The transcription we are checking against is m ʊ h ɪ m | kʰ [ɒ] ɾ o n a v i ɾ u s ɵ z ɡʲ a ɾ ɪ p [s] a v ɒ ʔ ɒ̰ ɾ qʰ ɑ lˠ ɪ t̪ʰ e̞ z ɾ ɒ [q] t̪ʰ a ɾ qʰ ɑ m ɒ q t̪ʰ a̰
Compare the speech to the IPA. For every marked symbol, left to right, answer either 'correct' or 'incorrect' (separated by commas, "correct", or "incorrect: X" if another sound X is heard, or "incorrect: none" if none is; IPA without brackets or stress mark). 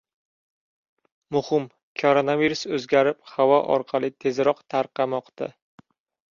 incorrect: o, incorrect: h, correct